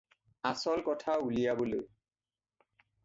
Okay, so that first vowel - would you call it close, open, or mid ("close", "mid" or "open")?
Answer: open